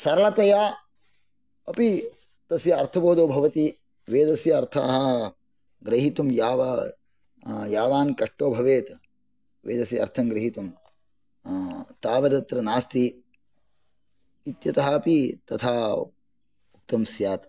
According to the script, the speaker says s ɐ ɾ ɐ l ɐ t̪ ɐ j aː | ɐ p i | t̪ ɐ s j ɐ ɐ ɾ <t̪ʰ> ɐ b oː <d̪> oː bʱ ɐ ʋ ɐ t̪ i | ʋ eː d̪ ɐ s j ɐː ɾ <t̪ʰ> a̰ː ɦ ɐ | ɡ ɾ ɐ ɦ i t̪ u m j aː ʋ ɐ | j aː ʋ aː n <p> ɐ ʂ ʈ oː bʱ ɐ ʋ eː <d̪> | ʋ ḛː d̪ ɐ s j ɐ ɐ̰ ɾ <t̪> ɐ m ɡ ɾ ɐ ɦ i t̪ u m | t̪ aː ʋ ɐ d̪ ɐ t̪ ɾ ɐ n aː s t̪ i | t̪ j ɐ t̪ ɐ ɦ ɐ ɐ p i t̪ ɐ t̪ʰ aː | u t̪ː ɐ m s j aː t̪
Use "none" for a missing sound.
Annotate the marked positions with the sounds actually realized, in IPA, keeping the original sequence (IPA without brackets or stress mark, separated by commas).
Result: t̪ʰ, d̪, t̪ʰ, k, t̪, t̪ʰ